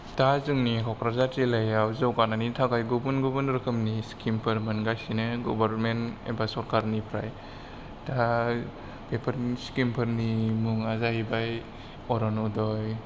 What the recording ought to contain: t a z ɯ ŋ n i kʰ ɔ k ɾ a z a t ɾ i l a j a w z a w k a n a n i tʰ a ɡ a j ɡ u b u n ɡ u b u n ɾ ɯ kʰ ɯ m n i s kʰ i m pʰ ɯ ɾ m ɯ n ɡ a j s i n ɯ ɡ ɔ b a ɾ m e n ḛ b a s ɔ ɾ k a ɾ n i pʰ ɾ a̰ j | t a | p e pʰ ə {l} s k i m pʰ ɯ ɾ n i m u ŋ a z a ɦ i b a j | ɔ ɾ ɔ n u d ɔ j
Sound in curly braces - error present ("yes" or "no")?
yes